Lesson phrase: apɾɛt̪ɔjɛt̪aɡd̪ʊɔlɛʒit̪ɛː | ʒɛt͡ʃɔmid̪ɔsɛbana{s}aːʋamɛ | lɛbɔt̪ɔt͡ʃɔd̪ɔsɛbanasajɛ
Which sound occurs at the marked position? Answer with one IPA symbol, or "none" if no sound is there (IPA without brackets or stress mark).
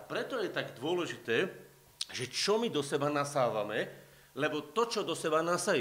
s